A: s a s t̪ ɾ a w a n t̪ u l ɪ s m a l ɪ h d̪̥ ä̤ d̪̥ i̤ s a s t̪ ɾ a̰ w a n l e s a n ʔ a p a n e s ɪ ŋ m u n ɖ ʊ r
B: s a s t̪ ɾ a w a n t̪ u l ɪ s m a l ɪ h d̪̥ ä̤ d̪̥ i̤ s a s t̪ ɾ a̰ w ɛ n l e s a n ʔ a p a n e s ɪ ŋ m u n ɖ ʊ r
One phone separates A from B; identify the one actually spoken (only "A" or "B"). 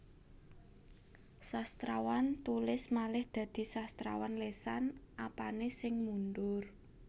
A